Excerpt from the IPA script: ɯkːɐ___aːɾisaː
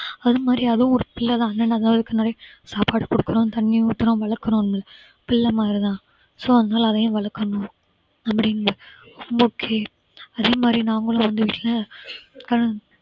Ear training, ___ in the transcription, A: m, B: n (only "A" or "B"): B